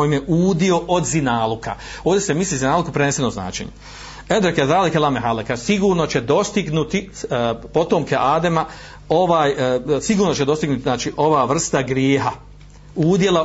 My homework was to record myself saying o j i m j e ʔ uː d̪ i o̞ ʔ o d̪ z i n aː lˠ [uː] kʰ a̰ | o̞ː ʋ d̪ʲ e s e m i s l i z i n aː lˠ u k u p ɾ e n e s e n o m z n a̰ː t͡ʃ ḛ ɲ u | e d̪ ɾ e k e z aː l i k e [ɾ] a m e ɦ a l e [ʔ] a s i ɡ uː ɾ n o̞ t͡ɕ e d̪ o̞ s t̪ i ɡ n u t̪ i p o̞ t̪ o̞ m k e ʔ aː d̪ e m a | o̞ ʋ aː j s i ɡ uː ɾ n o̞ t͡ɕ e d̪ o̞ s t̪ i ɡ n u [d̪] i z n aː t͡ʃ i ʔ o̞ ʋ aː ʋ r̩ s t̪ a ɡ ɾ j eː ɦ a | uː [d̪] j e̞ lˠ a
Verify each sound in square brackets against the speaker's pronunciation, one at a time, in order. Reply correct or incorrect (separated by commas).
incorrect, incorrect, incorrect, incorrect, correct